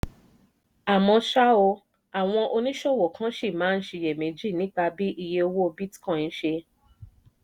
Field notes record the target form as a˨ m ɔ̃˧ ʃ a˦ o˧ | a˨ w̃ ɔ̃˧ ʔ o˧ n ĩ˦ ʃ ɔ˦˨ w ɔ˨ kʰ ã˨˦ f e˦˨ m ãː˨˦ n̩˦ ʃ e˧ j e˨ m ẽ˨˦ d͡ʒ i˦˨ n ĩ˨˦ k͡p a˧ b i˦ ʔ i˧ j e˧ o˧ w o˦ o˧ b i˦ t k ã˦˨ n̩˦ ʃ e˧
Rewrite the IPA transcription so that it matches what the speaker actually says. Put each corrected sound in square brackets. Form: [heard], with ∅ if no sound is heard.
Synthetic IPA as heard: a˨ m ɔ̃˧ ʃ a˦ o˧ | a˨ w̃ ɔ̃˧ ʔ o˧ n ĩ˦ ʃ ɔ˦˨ w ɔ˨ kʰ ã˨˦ [ʃ] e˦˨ m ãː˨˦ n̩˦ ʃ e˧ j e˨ m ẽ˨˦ d͡ʒ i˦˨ n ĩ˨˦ k͡p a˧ b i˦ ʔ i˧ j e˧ o˧ w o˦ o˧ b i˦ t k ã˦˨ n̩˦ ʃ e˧